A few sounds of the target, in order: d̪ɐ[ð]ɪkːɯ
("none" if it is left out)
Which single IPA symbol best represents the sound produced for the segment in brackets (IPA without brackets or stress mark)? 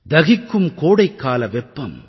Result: ɣ